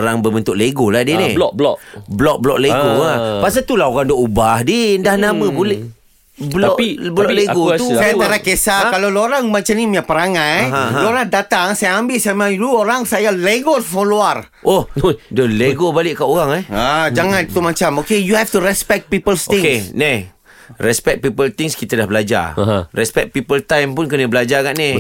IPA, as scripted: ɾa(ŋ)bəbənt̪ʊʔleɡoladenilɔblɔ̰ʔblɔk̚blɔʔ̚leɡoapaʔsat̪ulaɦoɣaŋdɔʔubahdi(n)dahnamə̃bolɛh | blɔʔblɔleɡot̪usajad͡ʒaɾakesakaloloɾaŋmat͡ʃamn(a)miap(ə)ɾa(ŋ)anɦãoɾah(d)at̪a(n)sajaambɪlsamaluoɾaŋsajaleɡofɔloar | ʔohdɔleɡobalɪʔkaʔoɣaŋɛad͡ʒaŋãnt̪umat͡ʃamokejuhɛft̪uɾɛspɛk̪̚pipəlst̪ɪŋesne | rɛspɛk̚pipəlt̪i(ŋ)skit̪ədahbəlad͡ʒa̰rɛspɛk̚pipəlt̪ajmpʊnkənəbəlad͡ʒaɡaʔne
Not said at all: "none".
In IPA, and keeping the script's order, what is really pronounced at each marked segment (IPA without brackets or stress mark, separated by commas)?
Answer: ŋ, n, i, ə, ŋ, d, ŋ, ŋ